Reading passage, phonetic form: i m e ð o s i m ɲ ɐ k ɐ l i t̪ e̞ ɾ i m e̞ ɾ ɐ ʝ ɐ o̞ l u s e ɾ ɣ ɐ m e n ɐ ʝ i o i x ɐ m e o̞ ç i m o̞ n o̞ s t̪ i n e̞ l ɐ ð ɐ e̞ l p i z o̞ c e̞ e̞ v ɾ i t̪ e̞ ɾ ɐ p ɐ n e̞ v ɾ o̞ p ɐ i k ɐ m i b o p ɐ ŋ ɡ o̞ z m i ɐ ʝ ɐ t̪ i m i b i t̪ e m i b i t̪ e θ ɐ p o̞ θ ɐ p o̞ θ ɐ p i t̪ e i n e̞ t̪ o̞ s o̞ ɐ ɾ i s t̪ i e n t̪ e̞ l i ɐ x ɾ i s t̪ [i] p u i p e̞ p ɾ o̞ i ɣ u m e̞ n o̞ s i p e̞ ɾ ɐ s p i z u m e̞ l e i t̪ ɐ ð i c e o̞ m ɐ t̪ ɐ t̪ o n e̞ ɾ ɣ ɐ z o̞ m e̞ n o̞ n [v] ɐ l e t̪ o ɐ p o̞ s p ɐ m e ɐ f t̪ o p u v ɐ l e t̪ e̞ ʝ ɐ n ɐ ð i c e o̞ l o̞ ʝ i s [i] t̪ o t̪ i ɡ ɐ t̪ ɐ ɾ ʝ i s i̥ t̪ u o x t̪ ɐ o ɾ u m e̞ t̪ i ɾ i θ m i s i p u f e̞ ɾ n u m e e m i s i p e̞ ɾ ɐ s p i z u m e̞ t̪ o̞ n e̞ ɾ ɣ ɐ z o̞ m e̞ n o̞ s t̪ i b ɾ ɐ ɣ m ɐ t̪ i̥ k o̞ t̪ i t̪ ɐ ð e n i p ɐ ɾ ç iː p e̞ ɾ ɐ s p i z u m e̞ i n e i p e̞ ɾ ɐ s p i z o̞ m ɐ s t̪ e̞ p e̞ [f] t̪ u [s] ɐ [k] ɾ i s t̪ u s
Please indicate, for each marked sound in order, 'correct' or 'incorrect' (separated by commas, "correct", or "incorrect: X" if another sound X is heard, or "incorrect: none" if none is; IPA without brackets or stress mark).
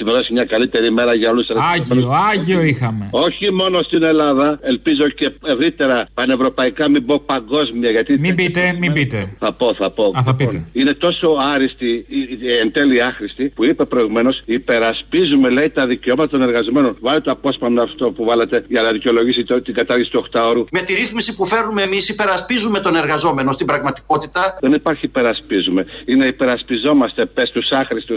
correct, correct, correct, incorrect: s, correct, incorrect: x